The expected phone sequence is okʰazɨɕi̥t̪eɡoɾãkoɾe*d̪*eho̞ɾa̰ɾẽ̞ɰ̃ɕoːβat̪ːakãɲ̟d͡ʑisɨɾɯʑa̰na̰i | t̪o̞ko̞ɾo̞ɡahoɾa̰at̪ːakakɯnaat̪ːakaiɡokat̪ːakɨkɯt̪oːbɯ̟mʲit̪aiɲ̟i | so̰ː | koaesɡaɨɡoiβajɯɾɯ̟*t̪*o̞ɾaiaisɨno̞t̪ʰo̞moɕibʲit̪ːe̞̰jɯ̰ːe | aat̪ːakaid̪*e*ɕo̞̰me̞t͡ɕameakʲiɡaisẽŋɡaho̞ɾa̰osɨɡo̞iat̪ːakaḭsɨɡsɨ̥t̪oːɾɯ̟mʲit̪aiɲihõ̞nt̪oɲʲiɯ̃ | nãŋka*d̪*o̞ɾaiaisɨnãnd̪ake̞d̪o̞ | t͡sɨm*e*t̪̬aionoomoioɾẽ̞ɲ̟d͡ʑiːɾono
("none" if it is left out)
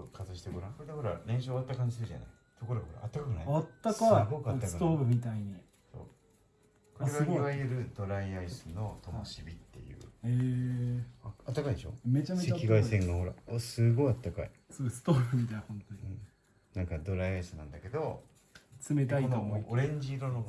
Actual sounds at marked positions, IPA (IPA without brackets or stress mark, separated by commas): d̪, d̪, e, d̪, e